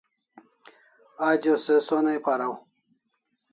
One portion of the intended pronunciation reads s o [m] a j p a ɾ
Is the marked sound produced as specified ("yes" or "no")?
no